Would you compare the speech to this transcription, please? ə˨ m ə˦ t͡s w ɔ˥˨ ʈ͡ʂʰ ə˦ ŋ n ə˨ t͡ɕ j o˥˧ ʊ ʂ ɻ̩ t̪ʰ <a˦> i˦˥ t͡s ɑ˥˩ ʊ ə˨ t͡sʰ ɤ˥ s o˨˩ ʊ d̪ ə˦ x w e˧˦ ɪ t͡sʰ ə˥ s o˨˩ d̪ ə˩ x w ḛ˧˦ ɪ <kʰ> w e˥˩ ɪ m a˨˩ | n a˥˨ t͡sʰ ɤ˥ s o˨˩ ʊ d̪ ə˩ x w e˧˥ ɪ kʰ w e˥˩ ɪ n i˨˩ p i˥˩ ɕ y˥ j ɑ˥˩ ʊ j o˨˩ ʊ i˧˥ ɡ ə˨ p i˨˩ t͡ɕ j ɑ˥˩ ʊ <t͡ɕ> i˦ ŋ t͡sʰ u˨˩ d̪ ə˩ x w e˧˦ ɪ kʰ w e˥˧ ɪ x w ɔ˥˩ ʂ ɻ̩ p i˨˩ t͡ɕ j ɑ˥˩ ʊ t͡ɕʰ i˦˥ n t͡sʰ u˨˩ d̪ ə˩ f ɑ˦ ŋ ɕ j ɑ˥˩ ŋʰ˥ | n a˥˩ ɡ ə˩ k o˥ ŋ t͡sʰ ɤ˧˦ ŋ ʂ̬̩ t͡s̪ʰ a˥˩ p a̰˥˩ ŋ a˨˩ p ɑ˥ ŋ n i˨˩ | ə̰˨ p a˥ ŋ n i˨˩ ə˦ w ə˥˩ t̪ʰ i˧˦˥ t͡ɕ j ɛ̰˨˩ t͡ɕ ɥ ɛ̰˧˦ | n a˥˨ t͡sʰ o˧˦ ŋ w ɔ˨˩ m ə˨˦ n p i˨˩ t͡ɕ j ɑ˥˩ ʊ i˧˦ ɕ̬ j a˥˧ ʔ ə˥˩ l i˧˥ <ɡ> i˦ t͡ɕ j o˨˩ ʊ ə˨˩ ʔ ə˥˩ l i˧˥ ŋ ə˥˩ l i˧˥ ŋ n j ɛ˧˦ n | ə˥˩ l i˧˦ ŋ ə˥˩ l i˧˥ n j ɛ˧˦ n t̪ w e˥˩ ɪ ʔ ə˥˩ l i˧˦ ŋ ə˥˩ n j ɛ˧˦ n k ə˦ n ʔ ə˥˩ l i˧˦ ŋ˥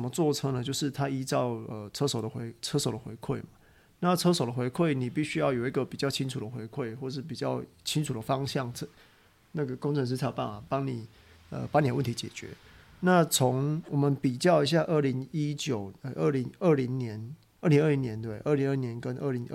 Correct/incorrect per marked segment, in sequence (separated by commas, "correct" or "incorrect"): correct, correct, incorrect, incorrect